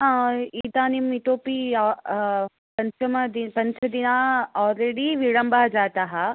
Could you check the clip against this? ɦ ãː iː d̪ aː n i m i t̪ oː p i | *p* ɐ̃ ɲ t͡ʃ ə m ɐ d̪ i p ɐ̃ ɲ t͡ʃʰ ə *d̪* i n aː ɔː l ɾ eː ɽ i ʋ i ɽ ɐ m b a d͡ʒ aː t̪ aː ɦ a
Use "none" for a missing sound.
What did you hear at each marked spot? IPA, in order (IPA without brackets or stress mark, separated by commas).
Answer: p, d̪